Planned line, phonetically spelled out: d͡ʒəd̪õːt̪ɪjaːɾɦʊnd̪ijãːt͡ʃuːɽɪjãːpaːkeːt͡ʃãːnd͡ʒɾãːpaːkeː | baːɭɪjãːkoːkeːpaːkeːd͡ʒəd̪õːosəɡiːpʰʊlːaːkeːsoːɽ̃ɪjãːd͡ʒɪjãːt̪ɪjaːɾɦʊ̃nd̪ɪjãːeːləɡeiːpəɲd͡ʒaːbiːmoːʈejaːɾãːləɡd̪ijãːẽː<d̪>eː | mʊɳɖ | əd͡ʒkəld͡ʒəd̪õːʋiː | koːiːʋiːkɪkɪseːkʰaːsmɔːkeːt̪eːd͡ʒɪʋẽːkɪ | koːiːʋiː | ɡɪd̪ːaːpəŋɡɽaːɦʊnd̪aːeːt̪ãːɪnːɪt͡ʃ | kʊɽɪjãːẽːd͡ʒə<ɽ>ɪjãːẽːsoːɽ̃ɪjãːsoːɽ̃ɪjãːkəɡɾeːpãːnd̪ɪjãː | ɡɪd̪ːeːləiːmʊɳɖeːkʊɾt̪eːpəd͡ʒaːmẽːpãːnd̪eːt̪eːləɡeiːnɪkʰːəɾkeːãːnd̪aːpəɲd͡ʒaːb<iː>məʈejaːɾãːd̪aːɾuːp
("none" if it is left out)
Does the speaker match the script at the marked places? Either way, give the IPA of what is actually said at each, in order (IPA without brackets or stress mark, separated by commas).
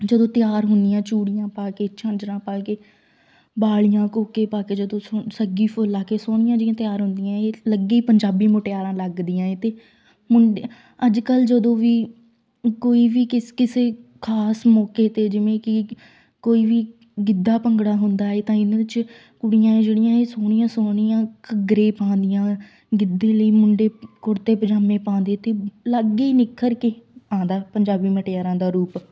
t̪, ɽ, iː